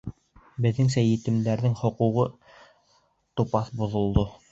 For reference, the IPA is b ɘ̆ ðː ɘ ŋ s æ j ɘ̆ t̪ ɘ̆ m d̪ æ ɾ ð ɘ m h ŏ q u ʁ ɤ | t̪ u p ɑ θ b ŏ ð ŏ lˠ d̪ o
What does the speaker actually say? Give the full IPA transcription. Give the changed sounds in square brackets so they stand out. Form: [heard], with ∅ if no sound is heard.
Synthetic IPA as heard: b ɘ̆ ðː ɘ ŋ s æ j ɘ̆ t̪ ɘ̆ m d̪ æ ɾ ð ɘ [ŋ] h ŏ q u ʁ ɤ | t̪ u p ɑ θ b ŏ ð ŏ lˠ d̪ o